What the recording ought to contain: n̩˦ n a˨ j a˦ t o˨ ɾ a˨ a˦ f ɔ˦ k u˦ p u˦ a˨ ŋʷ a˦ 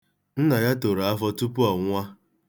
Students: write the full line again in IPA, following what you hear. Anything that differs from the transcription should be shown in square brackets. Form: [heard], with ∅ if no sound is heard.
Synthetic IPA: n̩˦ n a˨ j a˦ t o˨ ɾ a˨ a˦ f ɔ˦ [t] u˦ p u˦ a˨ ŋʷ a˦